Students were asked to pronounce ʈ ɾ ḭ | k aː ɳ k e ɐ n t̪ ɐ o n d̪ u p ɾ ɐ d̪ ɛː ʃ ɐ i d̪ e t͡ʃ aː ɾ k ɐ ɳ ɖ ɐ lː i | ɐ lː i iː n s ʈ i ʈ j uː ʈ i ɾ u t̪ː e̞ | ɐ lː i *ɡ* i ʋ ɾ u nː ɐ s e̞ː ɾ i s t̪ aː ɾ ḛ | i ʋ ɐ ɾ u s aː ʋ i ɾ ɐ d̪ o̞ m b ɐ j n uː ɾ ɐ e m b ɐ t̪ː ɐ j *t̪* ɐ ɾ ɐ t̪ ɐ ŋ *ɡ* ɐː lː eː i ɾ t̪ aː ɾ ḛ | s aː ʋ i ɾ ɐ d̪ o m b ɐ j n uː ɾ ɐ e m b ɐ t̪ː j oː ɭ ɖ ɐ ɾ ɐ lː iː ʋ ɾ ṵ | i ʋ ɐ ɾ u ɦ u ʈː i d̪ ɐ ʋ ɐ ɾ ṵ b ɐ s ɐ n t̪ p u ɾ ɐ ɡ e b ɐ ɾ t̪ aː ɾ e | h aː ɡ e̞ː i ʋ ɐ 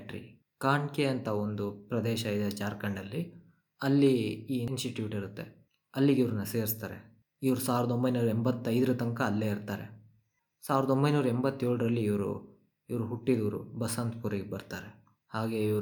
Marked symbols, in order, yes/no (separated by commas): yes, no, no